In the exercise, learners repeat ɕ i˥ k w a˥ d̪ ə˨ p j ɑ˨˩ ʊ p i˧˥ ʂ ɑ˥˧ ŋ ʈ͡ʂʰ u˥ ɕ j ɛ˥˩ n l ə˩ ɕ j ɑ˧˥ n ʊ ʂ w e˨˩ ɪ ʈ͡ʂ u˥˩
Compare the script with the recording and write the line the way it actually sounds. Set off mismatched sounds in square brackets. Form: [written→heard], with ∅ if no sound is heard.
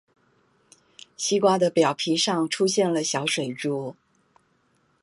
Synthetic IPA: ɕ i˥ k w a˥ d̪ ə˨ p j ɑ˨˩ ʊ [p→pʰ] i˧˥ ʂ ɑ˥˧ ŋ ʈ͡ʂʰ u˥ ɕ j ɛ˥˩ n l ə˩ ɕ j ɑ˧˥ [n→∅] ʊ ʂ w e˨˩ ɪ ʈ͡ʂ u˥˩